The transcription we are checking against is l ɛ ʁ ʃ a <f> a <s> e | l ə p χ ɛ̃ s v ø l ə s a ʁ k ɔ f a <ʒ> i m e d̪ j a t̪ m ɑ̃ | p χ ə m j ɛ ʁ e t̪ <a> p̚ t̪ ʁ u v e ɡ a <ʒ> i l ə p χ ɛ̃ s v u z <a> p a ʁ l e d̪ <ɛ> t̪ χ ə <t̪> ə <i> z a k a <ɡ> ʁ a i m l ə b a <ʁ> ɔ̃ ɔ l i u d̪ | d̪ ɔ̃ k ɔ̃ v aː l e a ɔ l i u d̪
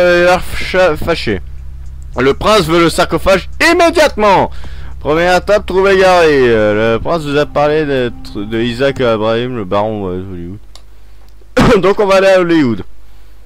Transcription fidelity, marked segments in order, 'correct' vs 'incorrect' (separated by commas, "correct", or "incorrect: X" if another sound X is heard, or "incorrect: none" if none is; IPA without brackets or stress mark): correct, incorrect: ʃ, correct, correct, incorrect: ʁ, correct, correct, incorrect: d̪, correct, incorrect: b, correct